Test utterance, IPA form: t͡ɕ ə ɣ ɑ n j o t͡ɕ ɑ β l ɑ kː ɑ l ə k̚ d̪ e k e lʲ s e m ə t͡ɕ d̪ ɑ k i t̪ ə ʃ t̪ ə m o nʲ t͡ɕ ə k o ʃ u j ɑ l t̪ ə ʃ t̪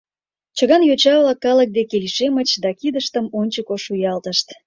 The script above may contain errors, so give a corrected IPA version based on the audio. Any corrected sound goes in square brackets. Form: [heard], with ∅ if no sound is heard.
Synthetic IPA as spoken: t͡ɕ ə ɣ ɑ n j o t͡ɕ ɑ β l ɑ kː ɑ l ə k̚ d̪ e k e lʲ [ʃ] e m ə t͡ɕ d̪ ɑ k i [d̪] ə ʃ t̪ ə m o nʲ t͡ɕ ə k o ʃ u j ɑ l t̪ ə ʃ t̪